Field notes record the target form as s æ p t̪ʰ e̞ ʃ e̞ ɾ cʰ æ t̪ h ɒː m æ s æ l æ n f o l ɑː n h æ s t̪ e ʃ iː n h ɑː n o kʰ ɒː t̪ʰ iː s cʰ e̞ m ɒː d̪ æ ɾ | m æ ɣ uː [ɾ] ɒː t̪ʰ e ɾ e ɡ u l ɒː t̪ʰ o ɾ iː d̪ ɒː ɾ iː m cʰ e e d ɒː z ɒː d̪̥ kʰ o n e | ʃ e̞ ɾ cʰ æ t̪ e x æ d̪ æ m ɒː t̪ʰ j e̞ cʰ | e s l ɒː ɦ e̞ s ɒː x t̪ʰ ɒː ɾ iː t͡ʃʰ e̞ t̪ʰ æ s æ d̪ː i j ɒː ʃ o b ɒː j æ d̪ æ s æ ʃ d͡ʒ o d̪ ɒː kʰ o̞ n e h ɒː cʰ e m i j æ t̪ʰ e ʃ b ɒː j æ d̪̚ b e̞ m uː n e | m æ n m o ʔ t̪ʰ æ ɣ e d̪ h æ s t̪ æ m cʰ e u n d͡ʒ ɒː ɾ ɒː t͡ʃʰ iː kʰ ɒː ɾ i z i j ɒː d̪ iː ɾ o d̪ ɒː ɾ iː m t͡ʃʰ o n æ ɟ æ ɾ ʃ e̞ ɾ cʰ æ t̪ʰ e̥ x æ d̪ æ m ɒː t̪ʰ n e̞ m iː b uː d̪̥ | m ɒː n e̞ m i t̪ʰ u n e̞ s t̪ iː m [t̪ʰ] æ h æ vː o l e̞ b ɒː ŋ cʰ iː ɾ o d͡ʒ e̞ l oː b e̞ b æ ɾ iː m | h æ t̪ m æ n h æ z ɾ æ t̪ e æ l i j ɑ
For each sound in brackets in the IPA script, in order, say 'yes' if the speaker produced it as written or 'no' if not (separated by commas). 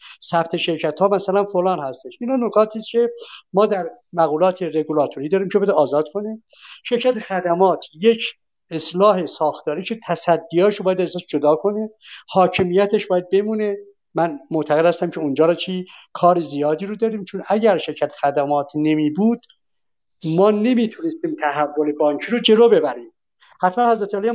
no, yes